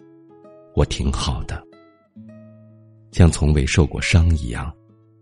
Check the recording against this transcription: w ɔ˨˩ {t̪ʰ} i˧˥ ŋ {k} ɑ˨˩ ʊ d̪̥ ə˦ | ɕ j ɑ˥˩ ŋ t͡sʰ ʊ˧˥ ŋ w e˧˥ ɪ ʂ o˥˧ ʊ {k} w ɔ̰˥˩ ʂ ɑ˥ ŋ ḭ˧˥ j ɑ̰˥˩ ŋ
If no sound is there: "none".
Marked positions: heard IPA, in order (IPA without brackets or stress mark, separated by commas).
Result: t̪ʰ, x, k